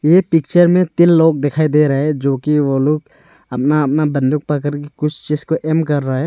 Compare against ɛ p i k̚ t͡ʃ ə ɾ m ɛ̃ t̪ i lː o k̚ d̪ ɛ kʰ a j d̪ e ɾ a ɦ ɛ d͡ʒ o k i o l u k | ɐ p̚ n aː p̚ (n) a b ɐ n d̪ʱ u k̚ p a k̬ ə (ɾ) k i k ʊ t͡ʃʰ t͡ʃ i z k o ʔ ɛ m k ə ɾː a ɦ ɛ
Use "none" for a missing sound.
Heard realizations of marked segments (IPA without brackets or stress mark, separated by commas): n, ɾ